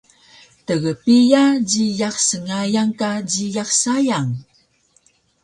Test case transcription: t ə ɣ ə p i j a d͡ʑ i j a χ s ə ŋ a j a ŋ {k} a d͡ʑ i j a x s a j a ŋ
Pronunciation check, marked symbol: correct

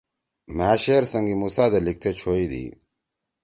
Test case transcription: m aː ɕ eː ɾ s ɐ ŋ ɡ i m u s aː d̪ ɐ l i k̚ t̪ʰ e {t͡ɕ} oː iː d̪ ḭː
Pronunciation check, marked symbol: incorrect: t͡ɕʰ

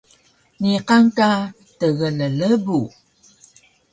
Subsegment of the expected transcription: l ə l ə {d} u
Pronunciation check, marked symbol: incorrect: b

